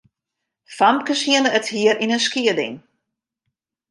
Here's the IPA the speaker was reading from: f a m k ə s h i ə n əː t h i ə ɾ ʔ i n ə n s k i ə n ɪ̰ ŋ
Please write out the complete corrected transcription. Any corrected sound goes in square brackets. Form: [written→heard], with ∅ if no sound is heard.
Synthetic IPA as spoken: f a m k ə s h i ə n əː t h i ə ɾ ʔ i n ə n s k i ə [n→d] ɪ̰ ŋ